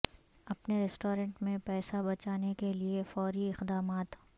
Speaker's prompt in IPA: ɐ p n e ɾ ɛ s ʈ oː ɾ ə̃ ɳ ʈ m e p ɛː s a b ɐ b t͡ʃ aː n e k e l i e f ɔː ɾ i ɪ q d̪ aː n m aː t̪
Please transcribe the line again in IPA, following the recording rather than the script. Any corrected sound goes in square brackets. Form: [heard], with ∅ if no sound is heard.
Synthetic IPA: ɐ p n e ɾ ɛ s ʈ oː ɾ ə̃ ɳ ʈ m [ẽ] p ɛː s a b ɐ [∅] t͡ʃ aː n e k e l i e f ɔː ɾ i ɪ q d̪ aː [∅] m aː t̪